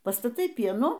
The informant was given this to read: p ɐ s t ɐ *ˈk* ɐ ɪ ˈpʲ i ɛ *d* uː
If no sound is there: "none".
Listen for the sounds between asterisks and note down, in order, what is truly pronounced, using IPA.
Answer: t, n

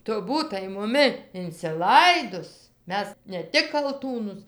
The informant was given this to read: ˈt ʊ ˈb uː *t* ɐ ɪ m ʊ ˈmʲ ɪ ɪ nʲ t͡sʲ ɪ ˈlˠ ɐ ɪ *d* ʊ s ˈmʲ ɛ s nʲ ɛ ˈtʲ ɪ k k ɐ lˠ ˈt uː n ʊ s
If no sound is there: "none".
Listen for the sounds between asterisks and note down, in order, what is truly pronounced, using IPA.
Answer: t, d

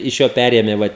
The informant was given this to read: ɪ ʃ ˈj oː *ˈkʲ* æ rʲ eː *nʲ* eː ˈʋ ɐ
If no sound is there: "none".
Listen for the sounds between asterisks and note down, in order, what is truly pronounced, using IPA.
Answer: pʲ, mʲ

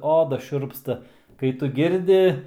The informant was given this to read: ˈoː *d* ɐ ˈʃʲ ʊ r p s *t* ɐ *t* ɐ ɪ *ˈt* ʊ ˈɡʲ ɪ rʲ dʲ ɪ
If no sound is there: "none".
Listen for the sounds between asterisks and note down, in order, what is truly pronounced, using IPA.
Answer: d, t, k, t

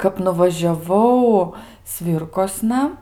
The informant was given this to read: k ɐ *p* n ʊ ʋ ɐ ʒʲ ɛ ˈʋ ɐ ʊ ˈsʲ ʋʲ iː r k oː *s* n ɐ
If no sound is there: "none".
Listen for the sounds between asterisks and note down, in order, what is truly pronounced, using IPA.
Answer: p, s

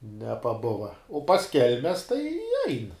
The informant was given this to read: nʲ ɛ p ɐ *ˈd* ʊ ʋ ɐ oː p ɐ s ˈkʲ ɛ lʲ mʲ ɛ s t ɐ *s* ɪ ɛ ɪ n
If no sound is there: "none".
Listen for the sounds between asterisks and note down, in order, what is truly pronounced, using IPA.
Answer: b, none

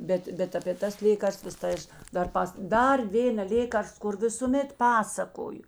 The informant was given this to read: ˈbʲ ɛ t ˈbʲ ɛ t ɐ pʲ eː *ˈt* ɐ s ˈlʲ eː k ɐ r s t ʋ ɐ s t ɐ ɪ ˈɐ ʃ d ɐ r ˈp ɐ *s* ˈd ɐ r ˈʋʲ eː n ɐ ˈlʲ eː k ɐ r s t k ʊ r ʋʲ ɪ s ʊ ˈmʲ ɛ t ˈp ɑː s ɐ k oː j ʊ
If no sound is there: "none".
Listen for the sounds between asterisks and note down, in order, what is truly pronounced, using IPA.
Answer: t, s

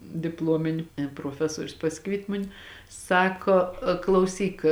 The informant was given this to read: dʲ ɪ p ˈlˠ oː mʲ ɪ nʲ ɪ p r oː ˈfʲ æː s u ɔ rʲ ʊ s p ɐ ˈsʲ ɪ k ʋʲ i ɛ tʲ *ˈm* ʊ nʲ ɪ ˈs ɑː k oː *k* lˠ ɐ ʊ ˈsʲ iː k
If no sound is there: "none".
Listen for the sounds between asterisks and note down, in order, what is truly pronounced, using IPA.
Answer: m, k

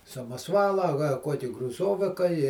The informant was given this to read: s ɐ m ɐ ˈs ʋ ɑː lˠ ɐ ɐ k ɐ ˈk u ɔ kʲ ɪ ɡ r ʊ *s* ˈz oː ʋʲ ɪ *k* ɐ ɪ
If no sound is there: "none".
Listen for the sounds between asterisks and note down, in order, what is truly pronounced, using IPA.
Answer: none, k

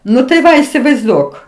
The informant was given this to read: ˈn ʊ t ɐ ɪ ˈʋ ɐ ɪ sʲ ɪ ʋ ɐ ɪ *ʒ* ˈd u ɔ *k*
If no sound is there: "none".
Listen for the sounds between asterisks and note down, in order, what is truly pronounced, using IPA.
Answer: z, k

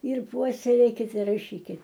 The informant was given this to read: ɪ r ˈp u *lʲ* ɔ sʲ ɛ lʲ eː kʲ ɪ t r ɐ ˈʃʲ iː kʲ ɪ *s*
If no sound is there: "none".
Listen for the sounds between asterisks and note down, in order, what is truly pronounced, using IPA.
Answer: none, t

